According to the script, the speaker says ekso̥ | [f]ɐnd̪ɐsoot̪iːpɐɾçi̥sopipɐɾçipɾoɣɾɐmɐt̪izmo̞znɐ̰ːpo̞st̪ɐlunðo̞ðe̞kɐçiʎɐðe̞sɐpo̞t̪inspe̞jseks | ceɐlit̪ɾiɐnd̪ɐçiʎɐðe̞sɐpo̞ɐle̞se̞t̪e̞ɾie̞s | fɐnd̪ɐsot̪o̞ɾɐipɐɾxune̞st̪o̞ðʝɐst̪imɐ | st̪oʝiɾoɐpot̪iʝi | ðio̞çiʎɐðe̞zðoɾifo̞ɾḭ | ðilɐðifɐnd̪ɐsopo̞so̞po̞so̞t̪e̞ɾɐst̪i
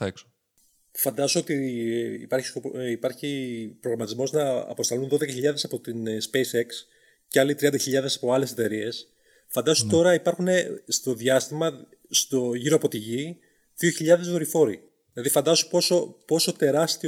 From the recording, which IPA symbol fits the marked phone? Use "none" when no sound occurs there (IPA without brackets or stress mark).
f